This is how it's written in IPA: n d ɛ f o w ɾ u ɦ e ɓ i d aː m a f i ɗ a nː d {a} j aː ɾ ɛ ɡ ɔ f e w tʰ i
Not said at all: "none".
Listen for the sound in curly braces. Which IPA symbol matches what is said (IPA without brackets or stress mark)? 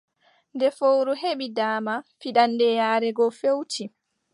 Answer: ɛ